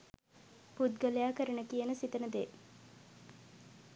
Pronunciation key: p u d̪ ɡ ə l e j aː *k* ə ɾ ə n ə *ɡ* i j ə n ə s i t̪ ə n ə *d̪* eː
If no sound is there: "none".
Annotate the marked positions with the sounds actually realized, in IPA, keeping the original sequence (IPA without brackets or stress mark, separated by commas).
k, k, d̪